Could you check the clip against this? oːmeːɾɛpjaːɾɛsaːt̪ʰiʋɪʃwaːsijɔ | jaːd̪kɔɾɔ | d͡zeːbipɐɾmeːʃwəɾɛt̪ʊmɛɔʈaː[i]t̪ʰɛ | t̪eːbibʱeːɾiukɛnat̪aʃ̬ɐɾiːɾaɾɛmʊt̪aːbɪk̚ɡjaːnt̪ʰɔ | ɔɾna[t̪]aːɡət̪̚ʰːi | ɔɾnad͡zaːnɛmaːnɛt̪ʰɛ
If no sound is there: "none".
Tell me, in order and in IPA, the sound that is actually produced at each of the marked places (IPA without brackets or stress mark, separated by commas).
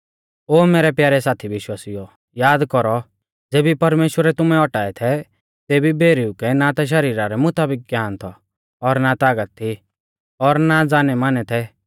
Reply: ɛ, t̪